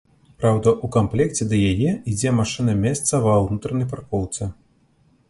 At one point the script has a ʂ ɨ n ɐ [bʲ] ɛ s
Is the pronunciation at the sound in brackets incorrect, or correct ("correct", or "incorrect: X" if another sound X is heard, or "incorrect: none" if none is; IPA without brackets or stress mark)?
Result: incorrect: mʲ